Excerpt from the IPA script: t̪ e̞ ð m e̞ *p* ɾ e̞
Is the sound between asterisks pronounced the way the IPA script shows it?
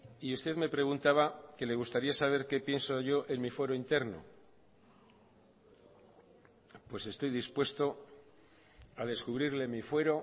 yes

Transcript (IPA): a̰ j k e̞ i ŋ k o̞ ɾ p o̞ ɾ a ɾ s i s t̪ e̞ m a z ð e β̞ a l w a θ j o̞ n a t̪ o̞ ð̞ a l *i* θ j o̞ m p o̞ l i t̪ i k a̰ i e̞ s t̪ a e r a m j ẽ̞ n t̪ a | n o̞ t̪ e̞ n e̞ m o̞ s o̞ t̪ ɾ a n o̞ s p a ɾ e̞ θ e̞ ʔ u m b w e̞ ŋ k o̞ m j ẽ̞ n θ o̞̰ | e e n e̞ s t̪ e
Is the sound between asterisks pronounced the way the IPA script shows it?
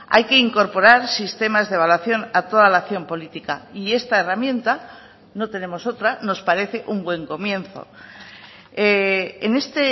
no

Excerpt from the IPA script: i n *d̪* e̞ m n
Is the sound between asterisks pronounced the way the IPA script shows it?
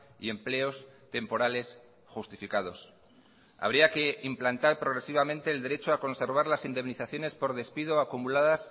yes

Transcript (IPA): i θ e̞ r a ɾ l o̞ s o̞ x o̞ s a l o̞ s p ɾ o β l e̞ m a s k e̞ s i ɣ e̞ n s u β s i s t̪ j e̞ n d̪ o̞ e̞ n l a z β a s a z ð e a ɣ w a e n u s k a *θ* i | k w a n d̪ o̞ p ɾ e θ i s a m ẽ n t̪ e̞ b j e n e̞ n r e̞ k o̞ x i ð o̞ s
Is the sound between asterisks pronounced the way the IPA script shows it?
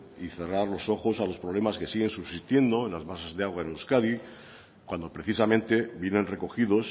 no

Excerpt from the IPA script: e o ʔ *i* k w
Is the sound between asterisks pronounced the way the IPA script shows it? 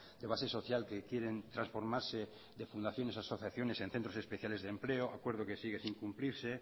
no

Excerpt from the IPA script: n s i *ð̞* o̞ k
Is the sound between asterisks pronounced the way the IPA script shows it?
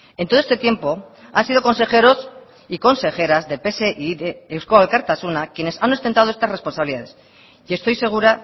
yes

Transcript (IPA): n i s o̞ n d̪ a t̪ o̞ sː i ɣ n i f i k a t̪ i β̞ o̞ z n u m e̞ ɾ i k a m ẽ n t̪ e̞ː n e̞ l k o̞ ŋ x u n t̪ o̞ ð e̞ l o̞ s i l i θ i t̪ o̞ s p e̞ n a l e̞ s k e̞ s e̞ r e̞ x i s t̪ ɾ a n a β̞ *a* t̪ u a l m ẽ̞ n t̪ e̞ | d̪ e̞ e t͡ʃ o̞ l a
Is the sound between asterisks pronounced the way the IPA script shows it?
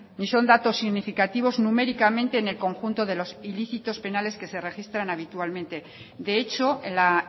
no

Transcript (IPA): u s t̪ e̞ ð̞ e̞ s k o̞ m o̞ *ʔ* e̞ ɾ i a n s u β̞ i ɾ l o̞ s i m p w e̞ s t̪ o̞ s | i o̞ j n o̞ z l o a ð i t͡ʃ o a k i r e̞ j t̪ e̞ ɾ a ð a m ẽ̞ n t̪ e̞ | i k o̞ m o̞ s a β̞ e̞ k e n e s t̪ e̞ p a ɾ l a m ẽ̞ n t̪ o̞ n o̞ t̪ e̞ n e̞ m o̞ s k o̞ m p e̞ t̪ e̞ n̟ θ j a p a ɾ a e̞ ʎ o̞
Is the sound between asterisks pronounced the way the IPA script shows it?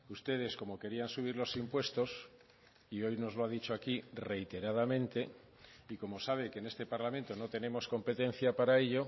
no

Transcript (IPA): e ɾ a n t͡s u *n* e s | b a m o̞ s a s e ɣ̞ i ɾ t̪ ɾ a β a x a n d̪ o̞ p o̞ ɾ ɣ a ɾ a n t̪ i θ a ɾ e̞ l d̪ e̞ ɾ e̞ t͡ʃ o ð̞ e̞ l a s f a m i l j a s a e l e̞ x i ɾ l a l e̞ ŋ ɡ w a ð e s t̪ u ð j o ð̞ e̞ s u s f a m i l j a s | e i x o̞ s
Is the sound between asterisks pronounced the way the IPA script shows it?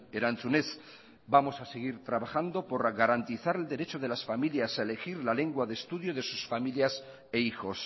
yes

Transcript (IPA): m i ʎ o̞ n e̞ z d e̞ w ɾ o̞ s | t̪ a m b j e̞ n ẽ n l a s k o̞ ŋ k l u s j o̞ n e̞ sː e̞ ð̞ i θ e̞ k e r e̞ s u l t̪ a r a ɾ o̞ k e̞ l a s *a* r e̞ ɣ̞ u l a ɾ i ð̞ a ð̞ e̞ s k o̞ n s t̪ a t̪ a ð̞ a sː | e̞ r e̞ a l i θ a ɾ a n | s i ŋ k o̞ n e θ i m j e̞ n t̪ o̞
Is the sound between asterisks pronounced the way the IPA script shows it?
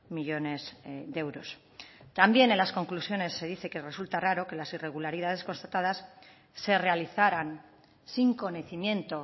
no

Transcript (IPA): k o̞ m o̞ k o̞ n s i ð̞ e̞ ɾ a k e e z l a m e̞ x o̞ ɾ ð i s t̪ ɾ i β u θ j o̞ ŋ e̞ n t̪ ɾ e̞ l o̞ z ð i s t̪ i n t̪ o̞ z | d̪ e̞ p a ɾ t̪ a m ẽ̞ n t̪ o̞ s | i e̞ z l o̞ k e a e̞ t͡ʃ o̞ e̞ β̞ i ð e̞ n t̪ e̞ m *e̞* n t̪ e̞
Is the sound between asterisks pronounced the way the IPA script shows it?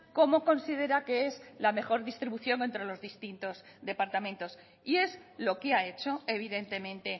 no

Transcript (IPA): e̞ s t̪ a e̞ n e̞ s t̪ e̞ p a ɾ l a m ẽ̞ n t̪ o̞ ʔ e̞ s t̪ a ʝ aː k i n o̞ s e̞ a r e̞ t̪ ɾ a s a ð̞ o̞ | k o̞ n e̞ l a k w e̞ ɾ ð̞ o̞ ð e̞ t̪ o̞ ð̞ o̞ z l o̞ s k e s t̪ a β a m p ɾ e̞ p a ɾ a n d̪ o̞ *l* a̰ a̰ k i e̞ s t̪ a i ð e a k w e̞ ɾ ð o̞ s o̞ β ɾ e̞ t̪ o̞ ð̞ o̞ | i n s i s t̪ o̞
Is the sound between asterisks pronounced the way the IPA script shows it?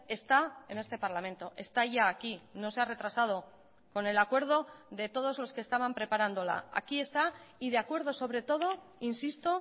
yes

